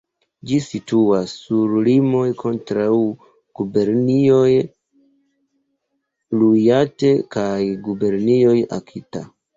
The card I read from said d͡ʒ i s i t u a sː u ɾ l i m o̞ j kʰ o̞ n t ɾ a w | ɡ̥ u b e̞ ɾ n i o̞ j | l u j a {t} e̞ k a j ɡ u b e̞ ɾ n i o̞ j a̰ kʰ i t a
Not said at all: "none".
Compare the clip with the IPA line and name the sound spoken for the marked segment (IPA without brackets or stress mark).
t